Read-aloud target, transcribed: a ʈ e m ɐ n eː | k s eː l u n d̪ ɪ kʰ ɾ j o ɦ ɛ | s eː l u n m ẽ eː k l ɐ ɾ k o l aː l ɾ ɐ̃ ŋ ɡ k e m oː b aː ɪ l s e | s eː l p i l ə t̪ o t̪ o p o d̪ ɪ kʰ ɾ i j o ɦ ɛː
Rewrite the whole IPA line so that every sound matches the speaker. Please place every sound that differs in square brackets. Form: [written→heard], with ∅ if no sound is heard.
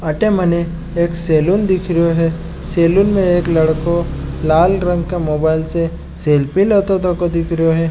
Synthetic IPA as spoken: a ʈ e m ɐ n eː | k s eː l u n d̪ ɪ kʰ ɾ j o ɦ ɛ | s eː l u n m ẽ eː k l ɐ [ɾ→ɽ] k o l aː l ɾ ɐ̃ ŋ ɡ k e m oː b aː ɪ l s e | s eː l p i l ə t̪ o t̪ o [p→k] o d̪ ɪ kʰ ɾ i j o ɦ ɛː